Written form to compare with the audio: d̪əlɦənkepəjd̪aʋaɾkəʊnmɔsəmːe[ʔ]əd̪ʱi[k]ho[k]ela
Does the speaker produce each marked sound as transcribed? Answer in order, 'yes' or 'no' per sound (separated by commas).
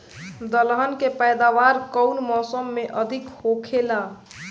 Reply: yes, yes, no